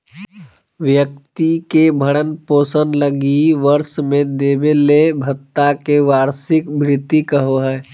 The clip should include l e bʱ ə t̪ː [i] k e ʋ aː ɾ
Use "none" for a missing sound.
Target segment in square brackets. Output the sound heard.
a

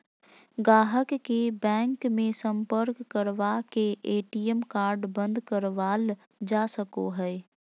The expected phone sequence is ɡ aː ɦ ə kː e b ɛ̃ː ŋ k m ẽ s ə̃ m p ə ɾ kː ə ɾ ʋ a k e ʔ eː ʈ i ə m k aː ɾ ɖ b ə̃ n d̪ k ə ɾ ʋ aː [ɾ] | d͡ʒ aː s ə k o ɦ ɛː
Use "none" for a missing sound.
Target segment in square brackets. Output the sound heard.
l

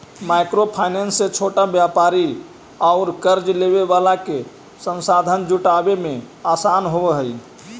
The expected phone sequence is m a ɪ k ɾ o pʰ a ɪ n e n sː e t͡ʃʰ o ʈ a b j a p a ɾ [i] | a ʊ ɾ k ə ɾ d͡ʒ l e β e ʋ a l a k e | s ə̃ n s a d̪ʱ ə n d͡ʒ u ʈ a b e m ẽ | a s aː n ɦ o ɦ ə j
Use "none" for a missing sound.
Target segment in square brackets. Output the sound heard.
i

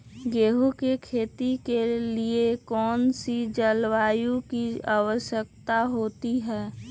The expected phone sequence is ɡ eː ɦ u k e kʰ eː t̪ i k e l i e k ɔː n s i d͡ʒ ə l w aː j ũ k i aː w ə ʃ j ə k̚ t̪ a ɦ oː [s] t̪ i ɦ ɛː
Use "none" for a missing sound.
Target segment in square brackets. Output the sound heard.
none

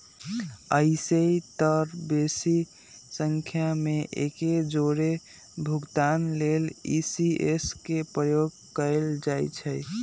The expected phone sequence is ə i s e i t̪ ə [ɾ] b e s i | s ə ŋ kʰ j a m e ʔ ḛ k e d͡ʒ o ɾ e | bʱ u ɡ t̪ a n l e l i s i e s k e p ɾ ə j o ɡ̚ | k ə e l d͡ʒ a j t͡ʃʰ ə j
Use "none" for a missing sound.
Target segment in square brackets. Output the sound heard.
ɾ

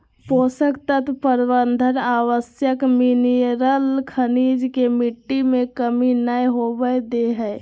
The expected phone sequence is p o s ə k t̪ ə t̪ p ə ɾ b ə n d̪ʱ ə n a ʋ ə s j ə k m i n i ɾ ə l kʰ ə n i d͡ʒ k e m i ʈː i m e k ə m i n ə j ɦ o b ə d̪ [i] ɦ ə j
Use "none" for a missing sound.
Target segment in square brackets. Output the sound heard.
e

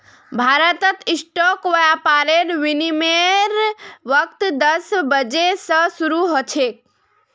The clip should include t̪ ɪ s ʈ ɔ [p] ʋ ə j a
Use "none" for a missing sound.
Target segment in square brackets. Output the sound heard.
k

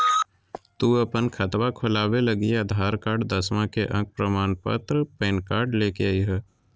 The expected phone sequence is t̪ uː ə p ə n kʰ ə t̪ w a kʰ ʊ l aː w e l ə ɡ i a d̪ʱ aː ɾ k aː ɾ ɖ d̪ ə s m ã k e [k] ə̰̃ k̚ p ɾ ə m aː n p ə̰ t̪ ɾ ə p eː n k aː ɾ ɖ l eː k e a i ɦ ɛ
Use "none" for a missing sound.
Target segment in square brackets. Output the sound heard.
ʔ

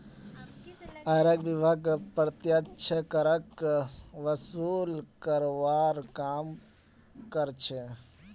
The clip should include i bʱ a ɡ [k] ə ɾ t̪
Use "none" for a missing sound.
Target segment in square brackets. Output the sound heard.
p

